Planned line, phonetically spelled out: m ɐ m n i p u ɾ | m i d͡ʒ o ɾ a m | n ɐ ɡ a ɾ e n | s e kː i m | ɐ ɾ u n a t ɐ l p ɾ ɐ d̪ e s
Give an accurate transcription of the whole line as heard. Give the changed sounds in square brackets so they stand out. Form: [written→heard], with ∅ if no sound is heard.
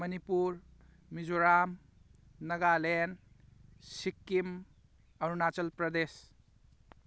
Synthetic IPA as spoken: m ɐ [m→∅] n i p u ɾ | m i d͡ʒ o ɾ a m | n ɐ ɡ a [ɾ→l] e n | s [e→i] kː i m | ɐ ɾ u n a [t→t͡ʃ] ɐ l p ɾ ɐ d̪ e s